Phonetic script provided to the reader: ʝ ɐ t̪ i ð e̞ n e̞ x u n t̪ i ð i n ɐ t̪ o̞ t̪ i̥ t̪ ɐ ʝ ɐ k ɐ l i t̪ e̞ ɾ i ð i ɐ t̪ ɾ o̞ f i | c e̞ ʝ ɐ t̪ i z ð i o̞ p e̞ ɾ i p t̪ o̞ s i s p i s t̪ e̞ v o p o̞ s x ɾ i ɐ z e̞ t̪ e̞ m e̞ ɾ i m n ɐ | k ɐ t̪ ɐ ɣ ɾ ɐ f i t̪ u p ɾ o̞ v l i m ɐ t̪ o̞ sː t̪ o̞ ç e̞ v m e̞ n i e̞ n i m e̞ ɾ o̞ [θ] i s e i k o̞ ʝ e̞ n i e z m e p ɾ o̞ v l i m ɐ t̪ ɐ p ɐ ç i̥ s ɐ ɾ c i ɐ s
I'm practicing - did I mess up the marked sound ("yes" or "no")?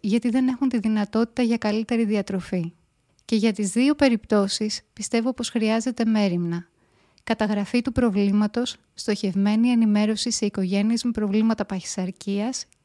yes